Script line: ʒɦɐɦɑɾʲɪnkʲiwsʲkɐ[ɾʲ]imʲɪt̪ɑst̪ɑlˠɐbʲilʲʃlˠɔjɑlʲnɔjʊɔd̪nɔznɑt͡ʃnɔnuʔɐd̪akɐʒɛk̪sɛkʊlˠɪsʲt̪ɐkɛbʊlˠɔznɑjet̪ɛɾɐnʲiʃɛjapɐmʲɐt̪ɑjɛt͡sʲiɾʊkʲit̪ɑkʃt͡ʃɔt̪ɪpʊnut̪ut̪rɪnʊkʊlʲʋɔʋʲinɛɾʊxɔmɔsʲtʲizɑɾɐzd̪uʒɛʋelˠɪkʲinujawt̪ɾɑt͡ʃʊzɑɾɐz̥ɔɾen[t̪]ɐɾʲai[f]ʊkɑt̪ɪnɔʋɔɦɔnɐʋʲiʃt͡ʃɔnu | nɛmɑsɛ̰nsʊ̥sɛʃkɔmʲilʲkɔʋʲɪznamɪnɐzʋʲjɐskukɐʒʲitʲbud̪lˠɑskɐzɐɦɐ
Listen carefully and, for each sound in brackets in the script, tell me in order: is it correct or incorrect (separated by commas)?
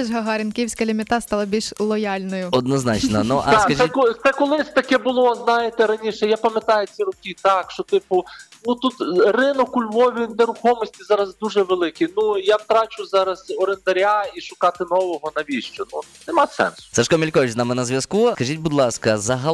incorrect, incorrect, incorrect